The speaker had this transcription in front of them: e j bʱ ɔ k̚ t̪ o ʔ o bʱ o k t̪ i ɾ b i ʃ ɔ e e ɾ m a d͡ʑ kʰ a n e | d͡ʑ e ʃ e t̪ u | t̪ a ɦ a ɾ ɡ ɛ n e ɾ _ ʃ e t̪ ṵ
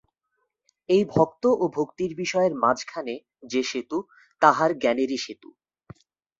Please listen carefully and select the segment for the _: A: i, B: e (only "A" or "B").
A